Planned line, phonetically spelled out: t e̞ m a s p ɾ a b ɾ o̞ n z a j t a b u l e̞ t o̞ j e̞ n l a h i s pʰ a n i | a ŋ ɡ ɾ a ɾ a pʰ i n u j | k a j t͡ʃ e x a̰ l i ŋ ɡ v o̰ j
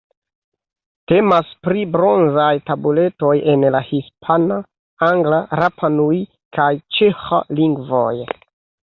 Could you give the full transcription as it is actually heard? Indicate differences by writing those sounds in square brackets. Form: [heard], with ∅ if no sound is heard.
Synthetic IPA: t e̞ m a s p ɾ [i] b ɾ o̞ n z a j t a b u l e̞ t o̞ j e̞ n l a h i s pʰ a n [a] | a ŋ ɡ [l] a ɾ a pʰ [a] n u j | k a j t͡ʃ e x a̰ l i ŋ ɡ v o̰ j